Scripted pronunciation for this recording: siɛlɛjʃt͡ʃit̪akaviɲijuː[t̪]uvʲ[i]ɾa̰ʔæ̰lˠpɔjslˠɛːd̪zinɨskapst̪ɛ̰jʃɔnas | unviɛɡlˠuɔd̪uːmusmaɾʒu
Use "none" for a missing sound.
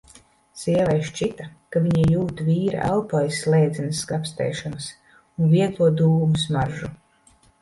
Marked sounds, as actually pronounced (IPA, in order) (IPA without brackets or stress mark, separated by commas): t̪, iː